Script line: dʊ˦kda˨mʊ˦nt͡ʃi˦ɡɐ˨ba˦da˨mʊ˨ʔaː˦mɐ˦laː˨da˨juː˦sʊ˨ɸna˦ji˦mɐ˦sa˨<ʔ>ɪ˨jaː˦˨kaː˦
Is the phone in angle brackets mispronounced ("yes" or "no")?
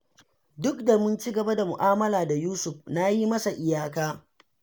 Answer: no